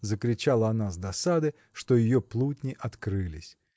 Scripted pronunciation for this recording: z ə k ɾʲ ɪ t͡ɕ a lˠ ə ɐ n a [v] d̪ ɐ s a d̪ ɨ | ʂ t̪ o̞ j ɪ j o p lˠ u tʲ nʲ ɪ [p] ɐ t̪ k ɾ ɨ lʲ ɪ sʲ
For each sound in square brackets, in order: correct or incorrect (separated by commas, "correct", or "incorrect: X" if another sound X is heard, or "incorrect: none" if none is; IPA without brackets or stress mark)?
incorrect: z, incorrect: ʔ